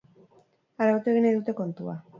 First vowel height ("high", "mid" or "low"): low